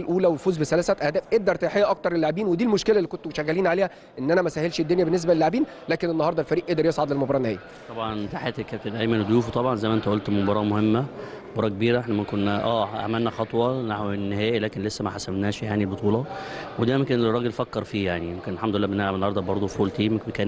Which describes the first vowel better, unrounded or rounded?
rounded